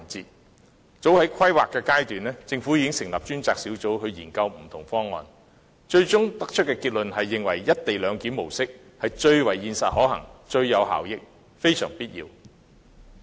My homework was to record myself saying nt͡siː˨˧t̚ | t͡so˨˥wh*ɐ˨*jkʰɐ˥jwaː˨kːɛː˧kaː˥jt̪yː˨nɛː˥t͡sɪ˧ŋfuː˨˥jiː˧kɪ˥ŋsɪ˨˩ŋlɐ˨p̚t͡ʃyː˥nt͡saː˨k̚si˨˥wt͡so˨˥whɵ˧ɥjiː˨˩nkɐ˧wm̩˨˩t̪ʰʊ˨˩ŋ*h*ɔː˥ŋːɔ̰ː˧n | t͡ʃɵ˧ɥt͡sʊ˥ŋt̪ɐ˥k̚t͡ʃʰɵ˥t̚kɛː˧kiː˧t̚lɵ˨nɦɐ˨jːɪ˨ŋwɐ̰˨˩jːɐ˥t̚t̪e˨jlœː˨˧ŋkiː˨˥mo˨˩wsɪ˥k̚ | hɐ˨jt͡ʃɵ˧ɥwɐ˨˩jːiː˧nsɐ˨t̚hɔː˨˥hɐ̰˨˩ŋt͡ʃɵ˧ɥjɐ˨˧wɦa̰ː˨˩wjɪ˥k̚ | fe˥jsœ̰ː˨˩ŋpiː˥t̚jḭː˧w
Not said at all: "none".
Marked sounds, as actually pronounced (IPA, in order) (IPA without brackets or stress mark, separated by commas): ɐ˨˥, f